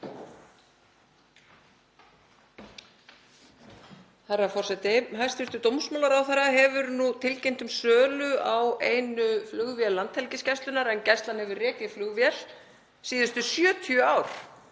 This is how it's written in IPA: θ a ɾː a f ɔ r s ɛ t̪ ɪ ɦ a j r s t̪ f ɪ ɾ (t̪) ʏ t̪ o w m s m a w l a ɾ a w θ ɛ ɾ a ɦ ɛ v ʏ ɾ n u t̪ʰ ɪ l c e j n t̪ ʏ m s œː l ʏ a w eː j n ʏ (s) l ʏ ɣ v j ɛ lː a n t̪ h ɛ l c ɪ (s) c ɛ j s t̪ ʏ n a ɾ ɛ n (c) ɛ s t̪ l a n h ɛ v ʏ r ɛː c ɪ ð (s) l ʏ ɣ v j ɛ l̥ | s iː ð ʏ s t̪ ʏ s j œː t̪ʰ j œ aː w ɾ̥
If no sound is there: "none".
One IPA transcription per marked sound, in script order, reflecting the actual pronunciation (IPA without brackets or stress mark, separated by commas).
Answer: t̪, f, s, c, f